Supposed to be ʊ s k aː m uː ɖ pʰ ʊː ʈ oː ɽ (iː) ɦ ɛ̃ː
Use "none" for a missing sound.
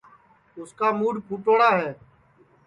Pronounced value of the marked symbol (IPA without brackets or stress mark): aː